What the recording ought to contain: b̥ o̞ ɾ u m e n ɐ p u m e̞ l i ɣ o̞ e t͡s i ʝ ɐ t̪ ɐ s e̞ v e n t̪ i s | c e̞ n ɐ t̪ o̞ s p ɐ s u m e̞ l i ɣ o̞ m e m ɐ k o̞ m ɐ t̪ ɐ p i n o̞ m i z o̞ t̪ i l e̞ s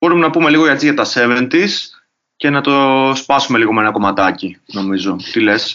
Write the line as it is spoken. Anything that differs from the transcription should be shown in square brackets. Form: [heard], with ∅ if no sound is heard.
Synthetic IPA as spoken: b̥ o̞ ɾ u m e n ɐ p u m e̞ l i ɣ o̞ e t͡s i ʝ ɐ t̪ ɐ s e̞ v e n t̪ i s | c e̞ n ɐ t̪ o̞ s p ɐ s u m e̞ l i ɣ o̞ m e [n] ɐ k o̞ m ɐ t̪ ɐ [c] i n o̞ m i z o̞ t̪ i l e̞ s